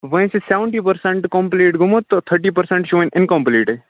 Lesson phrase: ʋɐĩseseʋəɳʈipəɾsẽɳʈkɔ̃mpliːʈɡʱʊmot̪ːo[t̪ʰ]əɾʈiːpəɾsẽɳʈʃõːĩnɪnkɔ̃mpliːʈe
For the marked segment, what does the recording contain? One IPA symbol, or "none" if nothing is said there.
t̪ʰ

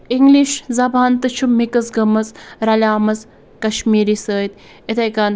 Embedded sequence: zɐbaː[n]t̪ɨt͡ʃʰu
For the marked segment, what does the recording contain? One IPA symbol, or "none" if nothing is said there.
n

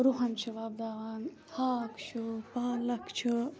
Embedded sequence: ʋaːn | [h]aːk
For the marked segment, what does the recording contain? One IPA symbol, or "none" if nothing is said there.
h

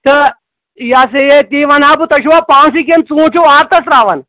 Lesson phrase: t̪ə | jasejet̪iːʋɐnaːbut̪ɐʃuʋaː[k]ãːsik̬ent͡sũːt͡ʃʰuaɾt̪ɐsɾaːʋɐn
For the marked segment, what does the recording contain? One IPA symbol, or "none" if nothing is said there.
p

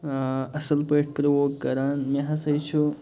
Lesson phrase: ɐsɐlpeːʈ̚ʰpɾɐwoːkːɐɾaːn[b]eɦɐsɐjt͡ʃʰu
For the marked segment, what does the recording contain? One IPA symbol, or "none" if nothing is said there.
m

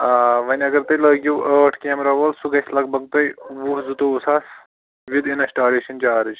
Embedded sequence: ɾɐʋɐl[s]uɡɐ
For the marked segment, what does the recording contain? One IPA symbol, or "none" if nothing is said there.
s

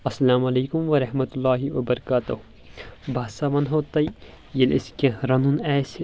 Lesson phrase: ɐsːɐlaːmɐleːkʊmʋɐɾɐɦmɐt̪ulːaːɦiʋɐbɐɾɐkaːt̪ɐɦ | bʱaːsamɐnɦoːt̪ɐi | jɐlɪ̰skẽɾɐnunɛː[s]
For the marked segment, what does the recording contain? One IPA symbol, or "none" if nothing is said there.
s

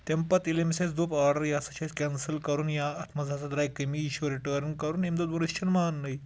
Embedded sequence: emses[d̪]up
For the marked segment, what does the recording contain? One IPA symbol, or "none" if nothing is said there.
d̪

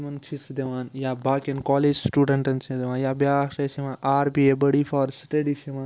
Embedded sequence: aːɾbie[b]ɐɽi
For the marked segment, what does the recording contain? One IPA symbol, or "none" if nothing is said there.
b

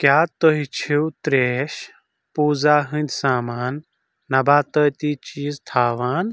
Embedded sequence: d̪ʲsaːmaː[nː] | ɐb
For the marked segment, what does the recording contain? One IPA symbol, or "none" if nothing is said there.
nː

